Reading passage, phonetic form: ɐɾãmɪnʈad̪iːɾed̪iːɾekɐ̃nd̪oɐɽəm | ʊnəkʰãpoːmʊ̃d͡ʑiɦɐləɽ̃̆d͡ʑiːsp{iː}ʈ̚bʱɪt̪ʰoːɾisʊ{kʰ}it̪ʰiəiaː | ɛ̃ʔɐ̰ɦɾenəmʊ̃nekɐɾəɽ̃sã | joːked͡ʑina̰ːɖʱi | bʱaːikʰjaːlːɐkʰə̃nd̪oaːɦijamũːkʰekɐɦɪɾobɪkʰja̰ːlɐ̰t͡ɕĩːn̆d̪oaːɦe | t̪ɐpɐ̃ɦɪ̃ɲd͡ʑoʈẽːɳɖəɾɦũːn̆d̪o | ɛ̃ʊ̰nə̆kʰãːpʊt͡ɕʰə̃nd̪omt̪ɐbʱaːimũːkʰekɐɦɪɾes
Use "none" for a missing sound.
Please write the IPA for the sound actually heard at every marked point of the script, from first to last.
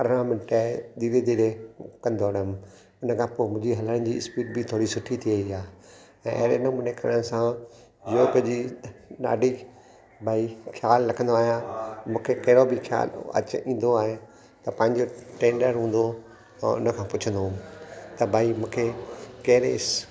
iː, ʈʰ

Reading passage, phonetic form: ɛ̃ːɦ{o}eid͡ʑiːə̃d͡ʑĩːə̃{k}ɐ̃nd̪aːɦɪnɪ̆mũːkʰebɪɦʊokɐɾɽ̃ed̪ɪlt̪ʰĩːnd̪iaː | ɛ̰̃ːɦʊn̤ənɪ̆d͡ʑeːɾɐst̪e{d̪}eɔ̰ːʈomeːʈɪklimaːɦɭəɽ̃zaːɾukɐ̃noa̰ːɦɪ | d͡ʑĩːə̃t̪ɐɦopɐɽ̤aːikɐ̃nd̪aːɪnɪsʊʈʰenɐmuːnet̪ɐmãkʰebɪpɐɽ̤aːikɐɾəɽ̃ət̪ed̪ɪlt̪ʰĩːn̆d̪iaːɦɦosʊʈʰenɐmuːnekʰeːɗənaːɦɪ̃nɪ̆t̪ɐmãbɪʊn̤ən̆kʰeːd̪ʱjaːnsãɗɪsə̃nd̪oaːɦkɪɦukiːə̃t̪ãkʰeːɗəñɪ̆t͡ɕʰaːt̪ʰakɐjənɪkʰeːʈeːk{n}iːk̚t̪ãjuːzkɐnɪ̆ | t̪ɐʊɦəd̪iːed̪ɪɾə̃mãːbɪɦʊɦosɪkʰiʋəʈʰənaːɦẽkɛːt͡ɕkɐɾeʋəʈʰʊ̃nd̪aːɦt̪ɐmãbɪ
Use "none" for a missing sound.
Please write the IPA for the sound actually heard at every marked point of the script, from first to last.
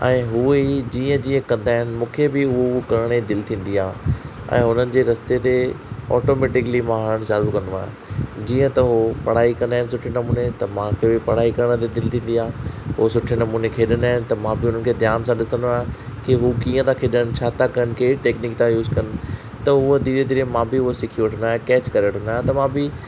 u, k, t̪, n

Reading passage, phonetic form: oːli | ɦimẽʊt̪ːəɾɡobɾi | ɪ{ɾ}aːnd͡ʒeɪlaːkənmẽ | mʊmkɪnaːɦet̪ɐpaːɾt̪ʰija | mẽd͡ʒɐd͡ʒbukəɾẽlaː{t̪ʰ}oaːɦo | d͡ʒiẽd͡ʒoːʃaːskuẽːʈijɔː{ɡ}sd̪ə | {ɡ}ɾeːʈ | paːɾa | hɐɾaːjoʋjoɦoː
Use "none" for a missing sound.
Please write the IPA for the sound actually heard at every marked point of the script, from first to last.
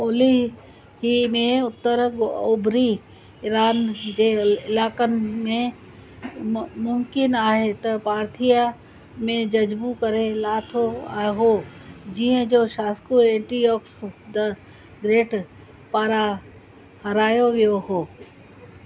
ɾ, t̪ʰ, k, ɡ

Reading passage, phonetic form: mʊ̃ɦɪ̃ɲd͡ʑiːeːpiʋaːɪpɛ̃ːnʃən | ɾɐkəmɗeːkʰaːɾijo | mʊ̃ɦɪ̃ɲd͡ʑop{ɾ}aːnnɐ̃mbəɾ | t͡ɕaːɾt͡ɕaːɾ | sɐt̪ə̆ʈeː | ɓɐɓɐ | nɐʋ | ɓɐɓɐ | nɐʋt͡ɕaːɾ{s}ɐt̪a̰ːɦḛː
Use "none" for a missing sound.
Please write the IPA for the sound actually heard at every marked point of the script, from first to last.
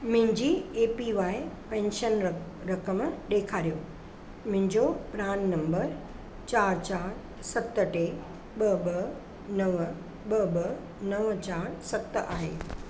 ɾ, s

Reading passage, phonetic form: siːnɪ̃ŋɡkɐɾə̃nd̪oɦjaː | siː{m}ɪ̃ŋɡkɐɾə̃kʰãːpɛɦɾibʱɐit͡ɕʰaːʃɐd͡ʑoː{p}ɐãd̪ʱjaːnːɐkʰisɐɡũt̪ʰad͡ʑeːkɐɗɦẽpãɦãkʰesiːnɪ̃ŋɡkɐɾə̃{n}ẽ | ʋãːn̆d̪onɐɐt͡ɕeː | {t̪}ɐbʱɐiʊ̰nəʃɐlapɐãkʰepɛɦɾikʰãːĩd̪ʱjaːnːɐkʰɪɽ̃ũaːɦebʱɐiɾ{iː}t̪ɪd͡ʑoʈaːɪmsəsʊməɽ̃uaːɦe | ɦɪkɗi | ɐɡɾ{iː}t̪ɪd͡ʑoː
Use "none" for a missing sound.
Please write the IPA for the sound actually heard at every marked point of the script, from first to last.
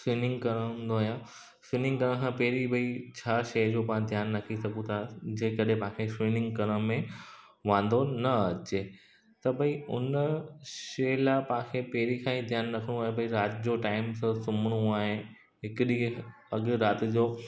n, p, m, t̪, aː, aː

